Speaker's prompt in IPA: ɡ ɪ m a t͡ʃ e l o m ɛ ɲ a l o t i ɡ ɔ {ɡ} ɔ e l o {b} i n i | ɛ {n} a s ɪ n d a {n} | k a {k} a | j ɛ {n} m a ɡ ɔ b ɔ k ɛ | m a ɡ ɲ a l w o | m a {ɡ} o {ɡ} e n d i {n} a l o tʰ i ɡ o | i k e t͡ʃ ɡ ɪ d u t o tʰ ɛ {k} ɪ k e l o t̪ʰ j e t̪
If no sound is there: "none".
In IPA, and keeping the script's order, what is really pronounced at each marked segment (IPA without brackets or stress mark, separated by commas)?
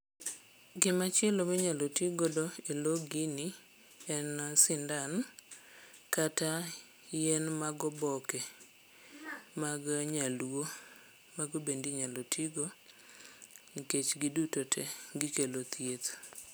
d, ɡ, n, n, t, n, ɡ, b, ɲ, ɡ